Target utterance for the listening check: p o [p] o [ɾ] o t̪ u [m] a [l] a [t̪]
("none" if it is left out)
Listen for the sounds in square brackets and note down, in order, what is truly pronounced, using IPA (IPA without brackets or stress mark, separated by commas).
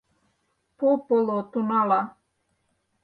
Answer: p, l, n, l, none